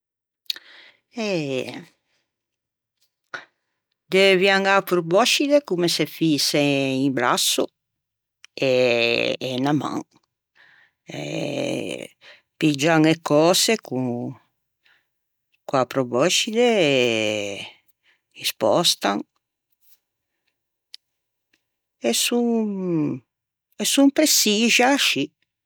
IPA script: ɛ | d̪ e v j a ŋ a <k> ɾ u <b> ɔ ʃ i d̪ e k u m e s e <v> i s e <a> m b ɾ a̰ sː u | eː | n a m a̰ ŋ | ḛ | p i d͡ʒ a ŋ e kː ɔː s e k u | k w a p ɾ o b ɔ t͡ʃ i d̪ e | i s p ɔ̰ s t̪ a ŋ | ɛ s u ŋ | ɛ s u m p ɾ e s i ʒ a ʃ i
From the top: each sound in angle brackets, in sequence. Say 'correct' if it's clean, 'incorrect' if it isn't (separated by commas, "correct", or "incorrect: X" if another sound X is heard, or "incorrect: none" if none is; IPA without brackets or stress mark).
incorrect: p, correct, incorrect: f, incorrect: i